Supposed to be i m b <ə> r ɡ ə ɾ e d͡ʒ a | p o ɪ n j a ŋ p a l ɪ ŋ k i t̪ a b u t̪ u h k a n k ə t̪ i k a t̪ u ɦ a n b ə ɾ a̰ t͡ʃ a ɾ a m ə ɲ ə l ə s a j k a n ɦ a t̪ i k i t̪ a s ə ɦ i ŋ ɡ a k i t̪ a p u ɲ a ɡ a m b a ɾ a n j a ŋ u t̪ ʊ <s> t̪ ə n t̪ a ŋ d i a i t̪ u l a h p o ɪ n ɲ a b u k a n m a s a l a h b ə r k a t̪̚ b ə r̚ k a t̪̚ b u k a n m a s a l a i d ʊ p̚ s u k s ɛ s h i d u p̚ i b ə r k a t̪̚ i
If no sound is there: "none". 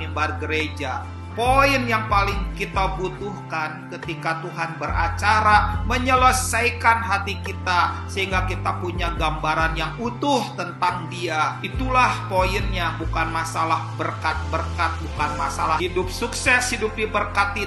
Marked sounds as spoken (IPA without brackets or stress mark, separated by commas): a, h